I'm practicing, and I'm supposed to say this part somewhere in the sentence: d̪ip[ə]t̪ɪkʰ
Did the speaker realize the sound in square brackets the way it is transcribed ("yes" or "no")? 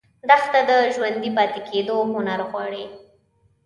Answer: no